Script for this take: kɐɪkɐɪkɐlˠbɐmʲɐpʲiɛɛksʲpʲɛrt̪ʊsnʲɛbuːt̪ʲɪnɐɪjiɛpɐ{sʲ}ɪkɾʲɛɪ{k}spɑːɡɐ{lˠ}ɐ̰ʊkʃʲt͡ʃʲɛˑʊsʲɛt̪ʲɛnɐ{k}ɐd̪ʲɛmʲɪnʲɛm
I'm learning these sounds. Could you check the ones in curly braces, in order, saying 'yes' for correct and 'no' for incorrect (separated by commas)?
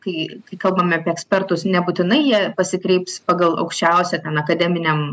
yes, no, yes, yes